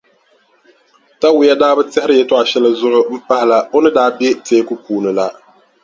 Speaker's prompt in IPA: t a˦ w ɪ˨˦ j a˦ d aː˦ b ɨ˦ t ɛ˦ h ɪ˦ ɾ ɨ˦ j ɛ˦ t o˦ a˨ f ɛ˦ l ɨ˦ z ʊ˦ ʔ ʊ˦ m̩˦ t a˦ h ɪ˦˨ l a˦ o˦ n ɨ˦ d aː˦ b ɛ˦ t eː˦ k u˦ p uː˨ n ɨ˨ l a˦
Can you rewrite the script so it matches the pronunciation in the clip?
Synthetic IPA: t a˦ w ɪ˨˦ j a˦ d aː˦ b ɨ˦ t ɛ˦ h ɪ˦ ɾ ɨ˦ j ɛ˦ t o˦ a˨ ʃ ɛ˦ l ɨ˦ z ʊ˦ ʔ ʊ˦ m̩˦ p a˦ h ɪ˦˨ l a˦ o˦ n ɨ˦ d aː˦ b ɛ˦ t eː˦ k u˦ p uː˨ n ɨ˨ l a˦